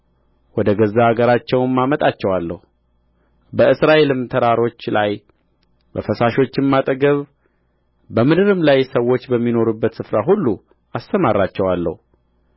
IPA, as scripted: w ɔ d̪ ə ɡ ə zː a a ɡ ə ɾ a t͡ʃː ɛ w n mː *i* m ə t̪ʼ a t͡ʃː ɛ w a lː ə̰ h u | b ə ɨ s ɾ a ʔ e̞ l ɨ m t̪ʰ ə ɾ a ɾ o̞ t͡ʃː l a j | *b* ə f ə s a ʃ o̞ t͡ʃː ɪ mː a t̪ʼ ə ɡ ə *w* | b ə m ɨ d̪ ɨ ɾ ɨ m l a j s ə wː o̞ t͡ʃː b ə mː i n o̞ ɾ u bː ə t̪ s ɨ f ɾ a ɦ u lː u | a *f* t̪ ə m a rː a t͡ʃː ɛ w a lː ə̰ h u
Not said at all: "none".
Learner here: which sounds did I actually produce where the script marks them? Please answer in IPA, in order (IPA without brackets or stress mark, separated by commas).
a, b, β, s